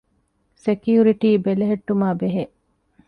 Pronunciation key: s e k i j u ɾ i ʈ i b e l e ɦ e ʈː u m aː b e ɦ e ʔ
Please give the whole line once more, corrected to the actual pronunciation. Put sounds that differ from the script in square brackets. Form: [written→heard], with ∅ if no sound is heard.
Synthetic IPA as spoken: s e k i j u ɾ i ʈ [i→iː] b e l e ɦ e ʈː u m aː b e ɦ e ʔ